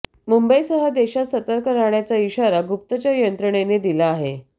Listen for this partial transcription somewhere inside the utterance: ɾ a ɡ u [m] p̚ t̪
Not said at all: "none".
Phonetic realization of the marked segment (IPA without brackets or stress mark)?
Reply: none